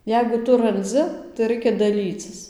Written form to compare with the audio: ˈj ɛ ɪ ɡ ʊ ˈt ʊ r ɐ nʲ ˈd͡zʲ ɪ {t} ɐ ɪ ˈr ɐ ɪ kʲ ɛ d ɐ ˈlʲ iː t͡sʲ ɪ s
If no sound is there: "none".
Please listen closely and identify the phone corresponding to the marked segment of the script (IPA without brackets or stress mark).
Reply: t